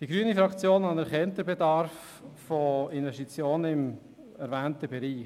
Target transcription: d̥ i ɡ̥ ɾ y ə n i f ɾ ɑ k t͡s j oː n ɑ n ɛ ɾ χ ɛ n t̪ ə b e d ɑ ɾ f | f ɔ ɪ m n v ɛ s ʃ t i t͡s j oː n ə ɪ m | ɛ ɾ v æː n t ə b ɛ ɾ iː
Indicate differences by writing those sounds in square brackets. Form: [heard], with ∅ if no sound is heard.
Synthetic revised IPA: d̥ i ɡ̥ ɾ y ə n i f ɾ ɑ k t͡s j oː n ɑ n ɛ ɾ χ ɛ n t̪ ə b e d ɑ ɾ f | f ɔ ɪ [∅] n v ɛ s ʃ t i t͡s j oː n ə ɪ m | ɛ ɾ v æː n t ə b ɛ ɾ iː